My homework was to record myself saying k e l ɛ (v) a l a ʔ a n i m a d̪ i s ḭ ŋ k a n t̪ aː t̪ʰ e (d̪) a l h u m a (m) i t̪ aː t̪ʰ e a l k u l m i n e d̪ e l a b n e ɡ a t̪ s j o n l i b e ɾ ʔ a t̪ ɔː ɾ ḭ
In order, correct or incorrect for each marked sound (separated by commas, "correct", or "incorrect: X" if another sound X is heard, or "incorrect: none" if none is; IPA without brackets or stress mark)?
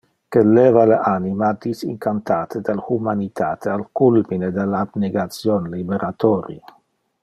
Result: correct, correct, incorrect: n